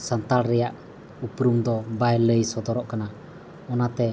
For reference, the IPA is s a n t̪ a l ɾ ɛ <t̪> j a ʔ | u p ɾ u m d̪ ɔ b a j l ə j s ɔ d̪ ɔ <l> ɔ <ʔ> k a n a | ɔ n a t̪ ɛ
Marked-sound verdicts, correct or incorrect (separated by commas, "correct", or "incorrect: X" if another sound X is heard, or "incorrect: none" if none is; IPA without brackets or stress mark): incorrect: none, incorrect: ɾ, correct